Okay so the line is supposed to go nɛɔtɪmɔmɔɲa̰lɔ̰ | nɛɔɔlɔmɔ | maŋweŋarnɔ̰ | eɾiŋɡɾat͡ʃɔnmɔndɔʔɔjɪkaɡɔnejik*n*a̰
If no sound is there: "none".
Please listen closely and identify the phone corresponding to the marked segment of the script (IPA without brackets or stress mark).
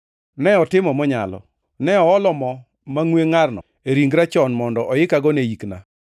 n